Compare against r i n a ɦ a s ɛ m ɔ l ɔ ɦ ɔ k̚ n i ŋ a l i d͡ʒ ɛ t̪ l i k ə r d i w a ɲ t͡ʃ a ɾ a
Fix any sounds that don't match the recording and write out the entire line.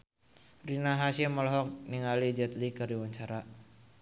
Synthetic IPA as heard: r i n a ɦ a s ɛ m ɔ l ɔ ɦ ɔ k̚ n i ŋ a l i d͡ʒ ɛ t̪ l i k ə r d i w a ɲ t͡ʃ a ɾ a